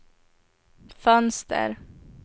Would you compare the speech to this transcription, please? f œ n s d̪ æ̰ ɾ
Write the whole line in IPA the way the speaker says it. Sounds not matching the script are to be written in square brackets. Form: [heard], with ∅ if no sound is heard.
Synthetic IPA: f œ n s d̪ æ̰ ɾ